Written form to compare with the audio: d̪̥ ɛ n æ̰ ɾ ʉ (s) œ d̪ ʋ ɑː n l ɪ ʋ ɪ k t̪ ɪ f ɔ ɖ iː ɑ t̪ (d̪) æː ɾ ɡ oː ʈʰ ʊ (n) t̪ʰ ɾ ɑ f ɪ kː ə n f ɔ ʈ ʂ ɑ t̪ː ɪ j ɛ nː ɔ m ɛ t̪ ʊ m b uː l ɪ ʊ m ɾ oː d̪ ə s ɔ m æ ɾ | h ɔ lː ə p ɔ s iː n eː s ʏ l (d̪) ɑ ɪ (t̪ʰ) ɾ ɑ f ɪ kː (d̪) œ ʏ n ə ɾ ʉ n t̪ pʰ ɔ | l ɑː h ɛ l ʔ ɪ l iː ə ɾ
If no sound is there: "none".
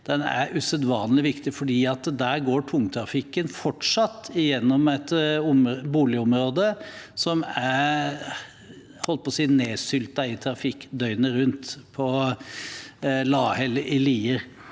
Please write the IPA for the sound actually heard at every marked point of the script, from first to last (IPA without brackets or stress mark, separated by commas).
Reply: s, d̪, ŋ, t̪, t̪ʰ, d̪